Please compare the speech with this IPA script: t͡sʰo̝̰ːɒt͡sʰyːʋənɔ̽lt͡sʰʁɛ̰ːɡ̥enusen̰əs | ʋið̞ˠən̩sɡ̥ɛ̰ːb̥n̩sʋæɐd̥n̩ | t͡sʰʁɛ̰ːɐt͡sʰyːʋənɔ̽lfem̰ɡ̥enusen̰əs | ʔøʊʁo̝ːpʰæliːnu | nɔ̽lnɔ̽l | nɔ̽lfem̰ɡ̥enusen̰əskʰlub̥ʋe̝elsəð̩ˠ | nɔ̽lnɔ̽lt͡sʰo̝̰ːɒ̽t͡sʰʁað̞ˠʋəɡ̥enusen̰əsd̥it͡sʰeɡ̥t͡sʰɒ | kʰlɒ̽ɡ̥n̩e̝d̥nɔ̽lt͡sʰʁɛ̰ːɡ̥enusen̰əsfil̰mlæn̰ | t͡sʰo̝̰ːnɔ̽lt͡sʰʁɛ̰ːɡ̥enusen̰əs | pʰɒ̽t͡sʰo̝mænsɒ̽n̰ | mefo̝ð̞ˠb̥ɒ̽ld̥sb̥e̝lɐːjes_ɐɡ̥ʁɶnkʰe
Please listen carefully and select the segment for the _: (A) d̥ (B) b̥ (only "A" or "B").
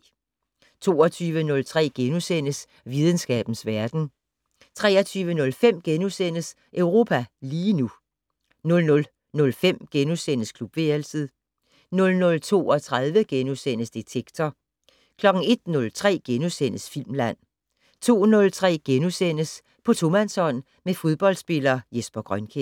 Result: B